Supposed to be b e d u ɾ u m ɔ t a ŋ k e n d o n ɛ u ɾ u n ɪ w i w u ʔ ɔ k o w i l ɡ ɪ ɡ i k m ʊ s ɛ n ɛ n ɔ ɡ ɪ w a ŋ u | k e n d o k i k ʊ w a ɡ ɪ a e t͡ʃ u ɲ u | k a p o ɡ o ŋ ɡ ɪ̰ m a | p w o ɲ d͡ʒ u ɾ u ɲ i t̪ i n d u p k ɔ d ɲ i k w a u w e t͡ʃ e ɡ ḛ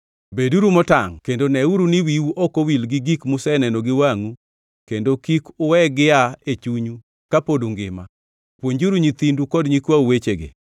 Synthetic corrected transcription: b e d u ɾ u m ɔ t a ŋ k e n d o n ɛ u ɾ u n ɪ w i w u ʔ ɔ k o w i l ɡ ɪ ɡ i k m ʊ s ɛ n ɛ n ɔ ɡ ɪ w a ŋ u | k e n d o k i k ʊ w ɛ ɡ ɪ a e t͡ʃ u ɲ u | k a p o d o ŋ ɡ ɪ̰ m a | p w o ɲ d͡ʒ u ɾ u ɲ i t̪ i n d u k ɔ d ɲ i k w a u w e t͡ʃ e ɡ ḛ

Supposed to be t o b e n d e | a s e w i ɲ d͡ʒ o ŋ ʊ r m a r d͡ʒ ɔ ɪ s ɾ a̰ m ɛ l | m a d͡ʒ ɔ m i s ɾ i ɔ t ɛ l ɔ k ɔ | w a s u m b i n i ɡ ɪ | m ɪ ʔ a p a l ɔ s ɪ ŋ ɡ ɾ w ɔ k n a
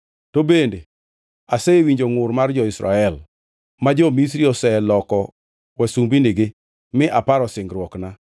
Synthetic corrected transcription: t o b e n d e | a s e w i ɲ d͡ʒ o ŋ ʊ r m a r d͡ʒ ɔ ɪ s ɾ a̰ ɛ l | m a d͡ʒ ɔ m i s ɾ i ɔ s ɛ l ɔ k ɔ | w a s u m b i n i ɡ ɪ | m ɪ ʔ a p a ɾ ɔ s ɪ ŋ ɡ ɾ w ɔ k n a

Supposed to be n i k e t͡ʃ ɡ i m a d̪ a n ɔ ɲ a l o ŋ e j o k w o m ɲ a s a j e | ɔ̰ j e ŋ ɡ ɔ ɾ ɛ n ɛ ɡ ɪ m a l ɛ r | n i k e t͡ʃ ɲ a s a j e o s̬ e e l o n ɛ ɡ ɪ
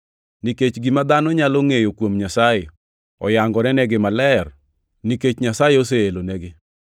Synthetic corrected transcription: n i k e t͡ʃ ɡ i m a d̪ a n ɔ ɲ a l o ŋ e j o k w o m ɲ a s a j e | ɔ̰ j a ŋ ɡ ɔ ɾ ɛ n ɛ ɡ ɪ m a l ɛ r | n i k e t͡ʃ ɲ a s a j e o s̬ e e l o n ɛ ɡ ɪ

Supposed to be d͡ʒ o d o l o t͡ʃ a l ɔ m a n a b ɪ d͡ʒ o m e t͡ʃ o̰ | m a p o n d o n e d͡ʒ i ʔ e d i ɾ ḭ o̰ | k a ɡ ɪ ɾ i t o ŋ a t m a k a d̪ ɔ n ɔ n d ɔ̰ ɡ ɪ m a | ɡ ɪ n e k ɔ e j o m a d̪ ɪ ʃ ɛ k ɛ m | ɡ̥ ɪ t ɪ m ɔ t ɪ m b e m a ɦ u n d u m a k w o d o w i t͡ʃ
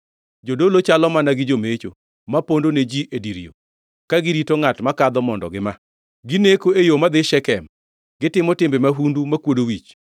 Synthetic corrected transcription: d͡ʒ o d o l o t͡ʃ a l ɔ m a n a ɡ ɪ d͡ʒ o m e t͡ʃ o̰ | m a p o n d o n e d͡ʒ i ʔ e d i ɾ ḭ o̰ | k a ɡ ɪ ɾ i t o ŋ a t m a k a d̪ ɔ m ɔ n d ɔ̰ ɡ ɪ m a | ɡ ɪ n e k o e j o m a d̪ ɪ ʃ ɛ k ɛ m | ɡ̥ ɪ t ɪ m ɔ t ɪ m b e m a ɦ u n d u m a k w o d o w i t͡ʃ

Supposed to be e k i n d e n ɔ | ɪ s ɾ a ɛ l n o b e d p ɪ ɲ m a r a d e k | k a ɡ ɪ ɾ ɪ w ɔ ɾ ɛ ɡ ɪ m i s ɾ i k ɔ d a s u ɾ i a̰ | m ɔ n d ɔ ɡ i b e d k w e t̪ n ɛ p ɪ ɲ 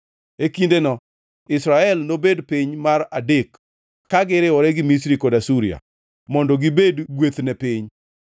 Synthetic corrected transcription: e k i n d e n ɔ | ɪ s ɾ a ɛ l n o b e d p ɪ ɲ m a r a d e k | k a ɡ ɪ ɾ ɪ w ɔ ɾ ɛ ɡ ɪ m i s ɾ i k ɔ d a s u ɾ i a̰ | m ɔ n d ɔ ɡ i b e d ɡ w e t̪ n ɛ p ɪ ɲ

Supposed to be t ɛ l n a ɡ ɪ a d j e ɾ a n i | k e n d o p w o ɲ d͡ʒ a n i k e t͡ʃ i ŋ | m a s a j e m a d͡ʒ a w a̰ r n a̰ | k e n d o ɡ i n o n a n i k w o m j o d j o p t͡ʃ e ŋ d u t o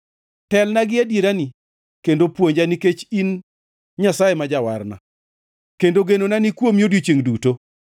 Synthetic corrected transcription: t ɛ l n a ɡ ɪ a d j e ɾ a n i | k e n d o p w o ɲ d͡ʒ a n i k e t͡ʃ i n | ɲ a s a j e m a d͡ʒ a w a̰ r n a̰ | k e n d o ɡ e n o n a n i k w o m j o d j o t͡ʃ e ŋ d u t o

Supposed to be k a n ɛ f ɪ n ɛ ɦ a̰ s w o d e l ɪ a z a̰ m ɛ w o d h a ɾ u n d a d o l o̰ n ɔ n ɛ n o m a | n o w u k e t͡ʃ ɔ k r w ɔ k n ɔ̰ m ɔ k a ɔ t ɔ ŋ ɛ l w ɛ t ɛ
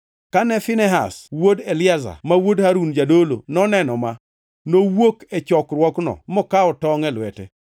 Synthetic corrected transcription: k a n ɛ f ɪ n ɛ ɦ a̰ s w o d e l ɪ a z a̰ m a w o d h a ɾ u n d͡ʒ a d o l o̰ n ɔ n ɛ n ɔ m a | n o w o k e t͡ʃ ɔ k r w ɔ k n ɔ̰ m ɔ k a ɔ t ɔ ŋ ɛ l w ɛ t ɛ

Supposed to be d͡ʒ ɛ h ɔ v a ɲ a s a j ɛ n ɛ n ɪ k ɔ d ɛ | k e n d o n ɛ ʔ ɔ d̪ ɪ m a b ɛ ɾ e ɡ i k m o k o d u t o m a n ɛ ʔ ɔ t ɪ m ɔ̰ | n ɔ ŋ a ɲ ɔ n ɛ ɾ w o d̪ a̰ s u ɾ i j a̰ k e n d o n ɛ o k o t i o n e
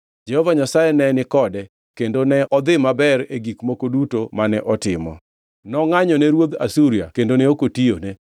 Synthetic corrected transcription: d͡ʒ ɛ h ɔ v a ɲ a s a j ɛ n ɛ n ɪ k ɔ d ɛ | k e n d o n ɛ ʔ ɔ d̪ ɪ m a b ɛ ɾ e ɡ i k m o k o d u t o m a n ɛ ʔ ɔ t ɪ m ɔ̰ | n ɔ ŋ a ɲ ɔ n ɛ ɾ w o d̪ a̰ s u ɾ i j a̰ k e n d o n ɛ o k o t i o n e

